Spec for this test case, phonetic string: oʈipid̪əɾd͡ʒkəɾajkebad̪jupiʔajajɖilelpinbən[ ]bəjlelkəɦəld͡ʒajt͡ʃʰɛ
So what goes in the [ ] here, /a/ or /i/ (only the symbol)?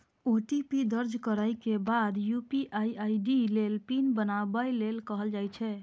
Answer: a